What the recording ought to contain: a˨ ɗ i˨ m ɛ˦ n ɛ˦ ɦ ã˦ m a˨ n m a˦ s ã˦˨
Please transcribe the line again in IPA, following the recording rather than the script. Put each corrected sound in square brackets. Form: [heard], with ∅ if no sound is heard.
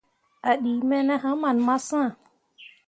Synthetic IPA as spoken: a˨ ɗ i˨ m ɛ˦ n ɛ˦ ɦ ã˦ m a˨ n m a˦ s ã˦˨